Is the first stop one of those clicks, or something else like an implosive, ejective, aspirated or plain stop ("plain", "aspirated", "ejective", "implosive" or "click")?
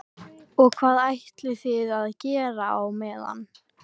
aspirated